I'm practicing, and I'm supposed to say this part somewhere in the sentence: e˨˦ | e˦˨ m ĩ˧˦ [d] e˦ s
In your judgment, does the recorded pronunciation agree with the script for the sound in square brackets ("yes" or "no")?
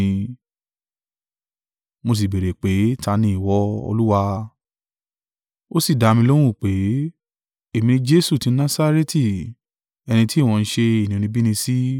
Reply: no